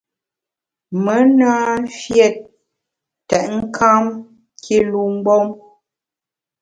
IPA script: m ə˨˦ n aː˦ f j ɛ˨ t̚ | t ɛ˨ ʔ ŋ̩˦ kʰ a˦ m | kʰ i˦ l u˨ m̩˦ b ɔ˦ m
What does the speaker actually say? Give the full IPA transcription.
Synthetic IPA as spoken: m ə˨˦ n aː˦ f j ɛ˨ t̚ | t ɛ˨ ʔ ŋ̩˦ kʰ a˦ m | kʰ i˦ l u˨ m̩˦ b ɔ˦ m